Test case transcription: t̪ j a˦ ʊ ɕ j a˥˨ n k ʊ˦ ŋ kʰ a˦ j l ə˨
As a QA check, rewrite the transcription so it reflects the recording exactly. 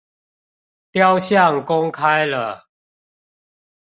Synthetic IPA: t̪ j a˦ ʊ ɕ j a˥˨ ŋ k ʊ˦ ŋ kʰ a˦ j l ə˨